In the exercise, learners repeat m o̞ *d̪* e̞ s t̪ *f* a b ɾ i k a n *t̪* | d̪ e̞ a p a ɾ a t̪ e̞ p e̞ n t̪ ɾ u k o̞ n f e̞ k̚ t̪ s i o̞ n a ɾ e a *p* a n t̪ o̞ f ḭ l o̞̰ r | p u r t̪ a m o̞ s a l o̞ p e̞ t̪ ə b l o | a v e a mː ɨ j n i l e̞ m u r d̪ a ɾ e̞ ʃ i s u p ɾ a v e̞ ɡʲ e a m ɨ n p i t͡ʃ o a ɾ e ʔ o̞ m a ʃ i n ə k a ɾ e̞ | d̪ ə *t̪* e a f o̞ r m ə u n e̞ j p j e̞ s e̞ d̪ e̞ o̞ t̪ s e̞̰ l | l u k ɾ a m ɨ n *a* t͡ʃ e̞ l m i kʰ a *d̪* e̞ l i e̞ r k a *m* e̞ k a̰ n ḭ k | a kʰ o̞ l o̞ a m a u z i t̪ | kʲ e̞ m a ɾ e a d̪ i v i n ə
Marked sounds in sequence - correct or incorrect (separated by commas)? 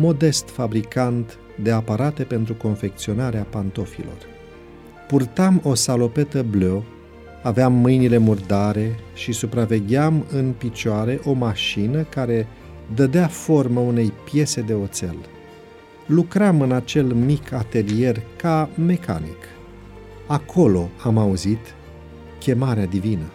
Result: correct, correct, correct, correct, incorrect, correct, incorrect, correct